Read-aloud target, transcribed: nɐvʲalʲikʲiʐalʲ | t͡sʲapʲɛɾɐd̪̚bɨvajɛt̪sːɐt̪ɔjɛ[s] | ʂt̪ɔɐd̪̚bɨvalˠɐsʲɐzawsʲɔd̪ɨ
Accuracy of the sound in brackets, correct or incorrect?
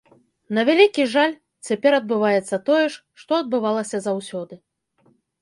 incorrect